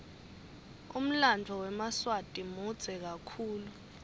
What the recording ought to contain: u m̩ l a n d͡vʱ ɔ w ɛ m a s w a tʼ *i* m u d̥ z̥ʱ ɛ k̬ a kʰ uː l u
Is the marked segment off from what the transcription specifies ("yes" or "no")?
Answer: no